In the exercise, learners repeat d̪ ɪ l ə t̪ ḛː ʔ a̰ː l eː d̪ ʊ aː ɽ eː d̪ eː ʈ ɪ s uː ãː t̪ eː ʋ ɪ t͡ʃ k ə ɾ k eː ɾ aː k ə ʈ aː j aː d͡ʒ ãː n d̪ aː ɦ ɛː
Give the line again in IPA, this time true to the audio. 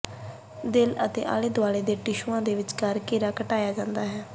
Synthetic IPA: d̪ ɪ l ə t̪ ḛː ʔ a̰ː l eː d̪ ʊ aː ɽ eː d̪ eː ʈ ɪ ʃ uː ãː d̪ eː ʋ ɪ t͡ʃ k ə ɾ k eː ɾ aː k ə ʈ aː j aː d͡ʒ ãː n d̪ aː ɦ ɛː